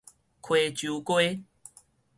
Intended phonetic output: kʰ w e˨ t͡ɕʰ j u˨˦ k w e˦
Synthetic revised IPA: kʰ w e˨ t͡ɕ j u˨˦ k w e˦